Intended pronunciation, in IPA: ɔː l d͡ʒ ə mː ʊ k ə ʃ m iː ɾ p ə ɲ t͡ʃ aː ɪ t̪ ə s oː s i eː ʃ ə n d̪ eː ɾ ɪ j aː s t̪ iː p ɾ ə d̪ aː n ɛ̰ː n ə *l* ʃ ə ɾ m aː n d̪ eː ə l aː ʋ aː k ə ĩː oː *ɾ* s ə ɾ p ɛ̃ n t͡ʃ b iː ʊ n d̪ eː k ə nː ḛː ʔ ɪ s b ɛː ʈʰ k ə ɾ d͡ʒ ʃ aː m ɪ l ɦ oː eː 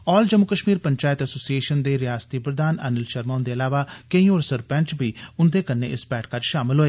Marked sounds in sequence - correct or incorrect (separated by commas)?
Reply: correct, correct